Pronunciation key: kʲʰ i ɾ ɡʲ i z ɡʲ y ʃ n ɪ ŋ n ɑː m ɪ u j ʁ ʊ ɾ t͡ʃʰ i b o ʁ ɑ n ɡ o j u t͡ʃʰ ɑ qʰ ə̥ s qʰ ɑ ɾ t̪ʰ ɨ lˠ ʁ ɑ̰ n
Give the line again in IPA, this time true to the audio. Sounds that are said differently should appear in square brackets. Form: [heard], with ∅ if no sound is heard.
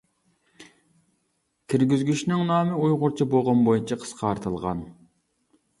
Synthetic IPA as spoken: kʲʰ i ɾ ɡʲ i z ɡʲ y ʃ n ɪ ŋ n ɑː m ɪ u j ʁ ʊ ɾ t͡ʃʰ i b o ʁ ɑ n [b] o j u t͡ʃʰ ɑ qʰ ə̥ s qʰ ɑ ɾ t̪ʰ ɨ lˠ ʁ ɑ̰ n